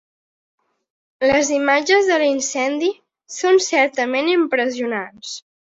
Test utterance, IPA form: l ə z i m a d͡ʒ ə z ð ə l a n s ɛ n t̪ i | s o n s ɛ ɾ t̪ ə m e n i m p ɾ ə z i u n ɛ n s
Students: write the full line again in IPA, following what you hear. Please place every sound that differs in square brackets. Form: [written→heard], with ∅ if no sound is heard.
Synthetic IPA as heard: l ə z i m a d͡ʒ ə z ð ə l [a→i] n s ɛ n [t̪→d̪] i | s o n s ɛ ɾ t̪ ə m e n i m p ɾ ə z i u n [ɛ→a] n s